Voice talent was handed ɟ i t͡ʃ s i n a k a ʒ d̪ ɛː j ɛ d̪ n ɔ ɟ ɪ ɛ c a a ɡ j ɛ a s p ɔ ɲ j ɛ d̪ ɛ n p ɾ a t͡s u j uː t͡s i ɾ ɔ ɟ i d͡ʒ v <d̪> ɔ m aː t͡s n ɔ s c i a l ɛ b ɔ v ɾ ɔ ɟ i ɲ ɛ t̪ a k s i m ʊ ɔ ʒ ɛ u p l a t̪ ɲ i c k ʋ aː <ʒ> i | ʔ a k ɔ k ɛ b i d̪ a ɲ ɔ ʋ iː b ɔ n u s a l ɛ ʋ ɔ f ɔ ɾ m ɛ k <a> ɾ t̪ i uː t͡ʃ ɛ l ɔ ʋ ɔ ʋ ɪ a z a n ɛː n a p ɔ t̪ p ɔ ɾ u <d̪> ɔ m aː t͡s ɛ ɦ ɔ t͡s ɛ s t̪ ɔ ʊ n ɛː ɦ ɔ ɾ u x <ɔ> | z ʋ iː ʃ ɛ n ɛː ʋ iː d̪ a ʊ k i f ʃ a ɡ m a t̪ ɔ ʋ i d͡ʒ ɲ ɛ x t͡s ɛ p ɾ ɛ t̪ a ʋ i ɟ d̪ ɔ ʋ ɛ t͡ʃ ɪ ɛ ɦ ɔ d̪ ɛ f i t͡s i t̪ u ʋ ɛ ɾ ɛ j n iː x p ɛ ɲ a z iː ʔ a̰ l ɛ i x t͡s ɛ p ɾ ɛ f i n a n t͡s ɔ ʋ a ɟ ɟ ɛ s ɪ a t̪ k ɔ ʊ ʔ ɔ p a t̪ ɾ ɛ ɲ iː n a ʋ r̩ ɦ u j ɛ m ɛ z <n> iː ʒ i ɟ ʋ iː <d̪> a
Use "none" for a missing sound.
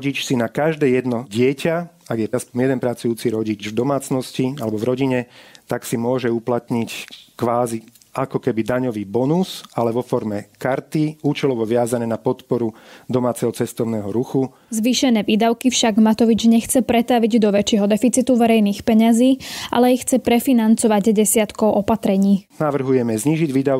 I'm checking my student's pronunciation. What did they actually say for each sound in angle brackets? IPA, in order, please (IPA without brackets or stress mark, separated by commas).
d̪, z, a, d̪, u, ɲ, d̪